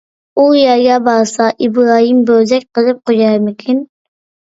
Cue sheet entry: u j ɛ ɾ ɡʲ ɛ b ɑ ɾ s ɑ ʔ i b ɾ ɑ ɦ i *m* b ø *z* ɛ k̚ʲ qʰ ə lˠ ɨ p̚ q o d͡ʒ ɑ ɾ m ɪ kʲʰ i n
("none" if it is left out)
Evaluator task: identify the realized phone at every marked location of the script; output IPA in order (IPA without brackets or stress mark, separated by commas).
m, z